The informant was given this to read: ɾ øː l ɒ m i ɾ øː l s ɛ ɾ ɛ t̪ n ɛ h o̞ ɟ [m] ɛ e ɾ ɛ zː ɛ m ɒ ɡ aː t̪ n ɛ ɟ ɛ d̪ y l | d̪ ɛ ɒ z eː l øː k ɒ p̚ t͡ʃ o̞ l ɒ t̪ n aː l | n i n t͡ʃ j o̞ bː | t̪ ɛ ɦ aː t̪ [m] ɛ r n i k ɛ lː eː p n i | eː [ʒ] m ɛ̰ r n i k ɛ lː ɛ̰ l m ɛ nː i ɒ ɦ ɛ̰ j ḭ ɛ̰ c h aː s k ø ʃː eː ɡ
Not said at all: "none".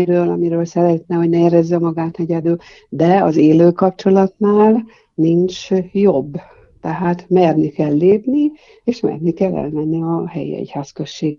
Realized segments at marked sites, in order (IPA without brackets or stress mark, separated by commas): n, m, ʃ